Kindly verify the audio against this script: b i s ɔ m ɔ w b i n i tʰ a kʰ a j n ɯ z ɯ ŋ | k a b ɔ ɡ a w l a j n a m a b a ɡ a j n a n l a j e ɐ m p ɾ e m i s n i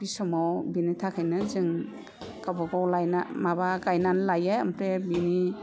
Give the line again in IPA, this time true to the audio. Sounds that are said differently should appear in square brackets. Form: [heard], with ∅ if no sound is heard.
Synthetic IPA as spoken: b i s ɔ m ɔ w b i n i tʰ a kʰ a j n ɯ z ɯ ŋ | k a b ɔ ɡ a w l a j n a m a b a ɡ a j n a n l a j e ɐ m p ɾ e [b] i [∅] n i